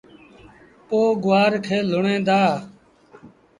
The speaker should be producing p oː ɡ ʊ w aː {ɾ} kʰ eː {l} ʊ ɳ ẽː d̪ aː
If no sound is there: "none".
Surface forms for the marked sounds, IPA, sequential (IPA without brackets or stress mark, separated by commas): ɾ, l